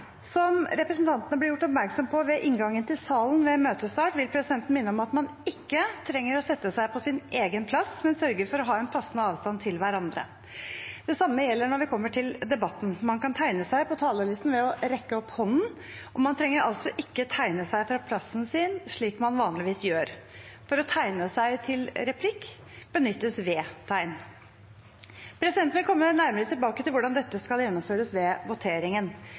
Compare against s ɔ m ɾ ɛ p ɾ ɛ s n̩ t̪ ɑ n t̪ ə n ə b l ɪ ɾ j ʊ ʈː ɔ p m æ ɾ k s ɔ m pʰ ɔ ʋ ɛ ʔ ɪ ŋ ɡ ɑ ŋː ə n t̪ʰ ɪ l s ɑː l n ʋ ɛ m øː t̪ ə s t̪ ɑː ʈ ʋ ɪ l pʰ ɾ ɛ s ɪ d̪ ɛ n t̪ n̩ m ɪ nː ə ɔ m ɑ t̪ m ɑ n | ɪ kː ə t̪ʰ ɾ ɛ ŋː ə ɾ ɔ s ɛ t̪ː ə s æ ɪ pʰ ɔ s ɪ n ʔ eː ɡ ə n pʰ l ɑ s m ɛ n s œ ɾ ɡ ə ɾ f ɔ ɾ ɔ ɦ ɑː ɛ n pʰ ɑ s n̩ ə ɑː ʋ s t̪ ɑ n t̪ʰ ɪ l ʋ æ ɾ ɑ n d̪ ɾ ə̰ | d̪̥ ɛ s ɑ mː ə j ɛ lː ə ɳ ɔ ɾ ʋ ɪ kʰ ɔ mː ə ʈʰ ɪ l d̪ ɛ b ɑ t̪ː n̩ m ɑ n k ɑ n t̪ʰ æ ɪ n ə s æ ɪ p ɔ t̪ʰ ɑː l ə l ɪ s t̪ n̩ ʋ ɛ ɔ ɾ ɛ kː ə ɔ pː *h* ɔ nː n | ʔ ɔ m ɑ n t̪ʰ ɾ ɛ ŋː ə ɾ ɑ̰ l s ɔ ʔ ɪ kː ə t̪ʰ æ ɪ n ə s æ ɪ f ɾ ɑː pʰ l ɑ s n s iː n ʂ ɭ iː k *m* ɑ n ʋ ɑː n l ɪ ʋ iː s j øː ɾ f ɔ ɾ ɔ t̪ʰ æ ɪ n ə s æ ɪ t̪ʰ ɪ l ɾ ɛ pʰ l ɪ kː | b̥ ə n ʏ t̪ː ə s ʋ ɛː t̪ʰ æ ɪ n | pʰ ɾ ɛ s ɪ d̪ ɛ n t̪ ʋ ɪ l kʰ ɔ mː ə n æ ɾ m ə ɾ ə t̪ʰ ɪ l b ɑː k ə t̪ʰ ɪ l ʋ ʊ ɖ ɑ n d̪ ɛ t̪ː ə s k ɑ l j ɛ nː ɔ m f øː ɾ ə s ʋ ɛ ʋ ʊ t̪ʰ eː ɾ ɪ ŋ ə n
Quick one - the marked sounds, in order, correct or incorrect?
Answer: correct, correct

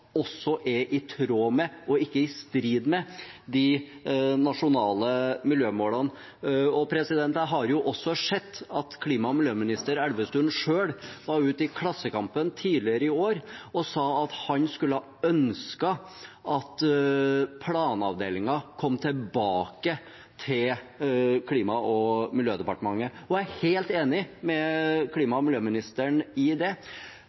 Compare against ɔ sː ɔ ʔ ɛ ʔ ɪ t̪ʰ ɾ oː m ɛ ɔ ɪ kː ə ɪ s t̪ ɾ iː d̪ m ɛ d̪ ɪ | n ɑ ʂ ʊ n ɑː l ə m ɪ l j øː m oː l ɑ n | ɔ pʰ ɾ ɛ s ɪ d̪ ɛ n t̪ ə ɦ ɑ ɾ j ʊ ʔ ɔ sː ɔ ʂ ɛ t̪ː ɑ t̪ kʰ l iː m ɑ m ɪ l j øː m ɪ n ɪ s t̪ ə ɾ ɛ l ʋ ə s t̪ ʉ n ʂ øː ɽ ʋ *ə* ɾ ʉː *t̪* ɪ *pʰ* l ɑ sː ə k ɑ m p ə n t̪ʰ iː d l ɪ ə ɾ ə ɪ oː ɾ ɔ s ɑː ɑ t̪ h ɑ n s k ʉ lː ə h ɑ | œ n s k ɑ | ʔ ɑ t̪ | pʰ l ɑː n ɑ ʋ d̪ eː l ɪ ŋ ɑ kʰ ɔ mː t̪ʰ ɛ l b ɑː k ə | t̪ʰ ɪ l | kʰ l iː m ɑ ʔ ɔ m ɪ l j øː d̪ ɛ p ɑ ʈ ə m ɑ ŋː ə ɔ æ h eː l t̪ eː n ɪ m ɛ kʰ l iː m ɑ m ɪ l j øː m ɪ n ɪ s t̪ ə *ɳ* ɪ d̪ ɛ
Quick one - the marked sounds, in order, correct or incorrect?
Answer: incorrect, correct, incorrect, correct

